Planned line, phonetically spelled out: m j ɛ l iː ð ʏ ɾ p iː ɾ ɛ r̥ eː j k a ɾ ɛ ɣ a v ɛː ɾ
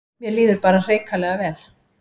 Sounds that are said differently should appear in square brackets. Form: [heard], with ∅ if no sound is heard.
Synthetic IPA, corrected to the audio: m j ɛ l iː ð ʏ ɾ p [aː] ɾ [a] r̥ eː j k a [l] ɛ ɣ a v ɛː [l]

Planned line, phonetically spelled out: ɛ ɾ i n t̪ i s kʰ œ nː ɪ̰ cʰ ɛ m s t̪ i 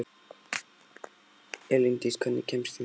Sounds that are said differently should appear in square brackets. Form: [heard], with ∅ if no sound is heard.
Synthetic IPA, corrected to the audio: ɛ [l] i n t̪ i s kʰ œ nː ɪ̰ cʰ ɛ m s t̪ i

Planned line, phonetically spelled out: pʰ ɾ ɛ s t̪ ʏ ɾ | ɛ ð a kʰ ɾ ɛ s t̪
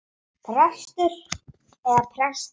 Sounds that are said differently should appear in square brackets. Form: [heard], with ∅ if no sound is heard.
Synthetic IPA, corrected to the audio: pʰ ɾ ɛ s t̪ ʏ ɾ | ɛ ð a [pʰ] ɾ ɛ s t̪

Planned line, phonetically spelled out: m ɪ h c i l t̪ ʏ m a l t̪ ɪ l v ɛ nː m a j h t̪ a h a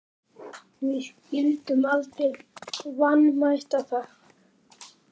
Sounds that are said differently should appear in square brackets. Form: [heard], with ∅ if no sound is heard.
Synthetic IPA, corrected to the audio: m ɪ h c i l t̪ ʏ m a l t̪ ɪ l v [a] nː m a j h t̪ a [θ] a

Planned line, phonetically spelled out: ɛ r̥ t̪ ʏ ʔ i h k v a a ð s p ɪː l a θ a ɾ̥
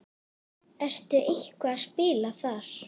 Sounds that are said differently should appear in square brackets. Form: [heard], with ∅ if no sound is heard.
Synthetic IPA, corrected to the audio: ɛ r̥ t̪ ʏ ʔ [e] h k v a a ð s p ɪː l a θ a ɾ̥

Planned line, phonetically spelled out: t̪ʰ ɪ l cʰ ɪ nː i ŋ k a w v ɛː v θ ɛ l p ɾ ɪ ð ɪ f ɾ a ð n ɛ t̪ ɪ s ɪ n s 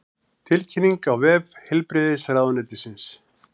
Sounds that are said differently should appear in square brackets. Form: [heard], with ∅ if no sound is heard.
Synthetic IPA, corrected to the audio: t̪ʰ ɪ l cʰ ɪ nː i ŋ k a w v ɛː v [h] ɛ l p ɾ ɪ ð ɪ [s] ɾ a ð n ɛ t̪ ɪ s ɪ n s

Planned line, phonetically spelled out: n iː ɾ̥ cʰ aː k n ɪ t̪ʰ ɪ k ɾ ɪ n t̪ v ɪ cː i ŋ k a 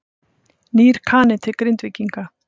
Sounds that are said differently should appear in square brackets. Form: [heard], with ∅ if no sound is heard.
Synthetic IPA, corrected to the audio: n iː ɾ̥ [kʰ] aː [∅] n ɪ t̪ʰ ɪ k ɾ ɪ n t̪ v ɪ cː i ŋ k a

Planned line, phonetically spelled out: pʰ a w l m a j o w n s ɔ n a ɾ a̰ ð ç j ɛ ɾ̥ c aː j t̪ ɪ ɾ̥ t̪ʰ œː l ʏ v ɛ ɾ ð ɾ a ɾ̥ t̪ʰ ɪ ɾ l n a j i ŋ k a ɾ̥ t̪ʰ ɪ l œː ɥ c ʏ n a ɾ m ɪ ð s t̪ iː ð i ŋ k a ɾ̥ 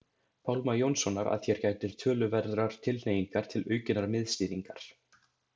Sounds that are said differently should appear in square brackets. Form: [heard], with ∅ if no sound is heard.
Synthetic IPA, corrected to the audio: pʰ a w l m a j o w n s ɔ n a ɾ a̰ ð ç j ɛ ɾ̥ c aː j t̪ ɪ ɾ̥ t̪ʰ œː l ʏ v ɛ ɾ ð ɾ a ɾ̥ t̪ʰ ɪ [∅] l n [e] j i ŋ k a ɾ̥ t̪ʰ ɪ l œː ɥ c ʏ n a ɾ m ɪ ð s t̪ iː ð i ŋ k a ɾ̥

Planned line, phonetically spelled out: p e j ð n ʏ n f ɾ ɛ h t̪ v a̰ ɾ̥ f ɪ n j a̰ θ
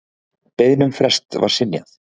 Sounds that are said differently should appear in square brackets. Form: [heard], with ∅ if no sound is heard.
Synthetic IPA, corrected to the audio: p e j ð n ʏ [m] f ɾ ɛ [s] t̪ v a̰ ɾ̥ [s] ɪ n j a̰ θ

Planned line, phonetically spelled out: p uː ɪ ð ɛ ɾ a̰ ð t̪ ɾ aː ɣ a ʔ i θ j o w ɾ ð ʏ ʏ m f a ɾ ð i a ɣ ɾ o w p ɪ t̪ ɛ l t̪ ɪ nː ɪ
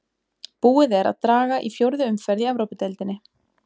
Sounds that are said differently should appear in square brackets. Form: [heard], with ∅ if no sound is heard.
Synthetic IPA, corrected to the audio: p uː ɪ ð ɛ ɾ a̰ ð t̪ ɾ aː ɣ a ʔ i [f] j o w ɾ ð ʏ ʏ m f [ɛ] ɾ ð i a [v] ɾ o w p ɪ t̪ ɛ l t̪ ɪ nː ɪ

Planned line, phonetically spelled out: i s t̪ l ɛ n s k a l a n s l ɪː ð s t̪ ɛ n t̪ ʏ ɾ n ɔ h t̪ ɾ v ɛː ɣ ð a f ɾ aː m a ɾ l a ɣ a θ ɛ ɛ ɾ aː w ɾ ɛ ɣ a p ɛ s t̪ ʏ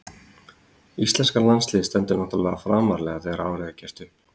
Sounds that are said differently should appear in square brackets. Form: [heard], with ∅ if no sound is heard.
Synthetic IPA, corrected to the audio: i s t̪ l ɛ n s k a l a n s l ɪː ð s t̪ ɛ n t̪ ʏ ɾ n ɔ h t̪ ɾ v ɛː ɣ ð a f ɾ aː m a ɾ l [ɛ] ɣ a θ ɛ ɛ ɾ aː w ɾ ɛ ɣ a [c] ɛ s t̪ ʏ

